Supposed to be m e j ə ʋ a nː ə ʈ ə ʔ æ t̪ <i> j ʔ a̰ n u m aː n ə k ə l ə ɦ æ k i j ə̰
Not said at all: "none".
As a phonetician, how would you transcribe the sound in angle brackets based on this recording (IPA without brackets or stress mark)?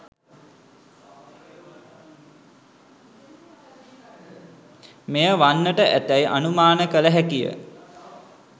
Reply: æ